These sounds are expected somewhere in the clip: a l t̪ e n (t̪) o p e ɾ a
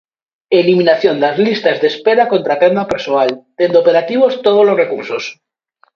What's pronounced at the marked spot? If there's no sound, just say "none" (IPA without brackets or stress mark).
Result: d̪